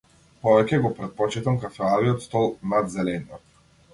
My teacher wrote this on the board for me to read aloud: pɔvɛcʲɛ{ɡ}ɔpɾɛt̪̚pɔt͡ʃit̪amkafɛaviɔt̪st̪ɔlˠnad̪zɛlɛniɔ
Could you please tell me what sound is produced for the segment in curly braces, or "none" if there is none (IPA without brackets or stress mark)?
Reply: ɡ